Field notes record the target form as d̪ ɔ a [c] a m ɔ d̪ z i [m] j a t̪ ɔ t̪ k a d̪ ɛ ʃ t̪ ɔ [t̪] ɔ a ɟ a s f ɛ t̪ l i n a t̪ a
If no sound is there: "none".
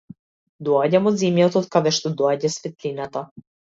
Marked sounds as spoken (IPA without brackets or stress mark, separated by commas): ɟ, m, d̪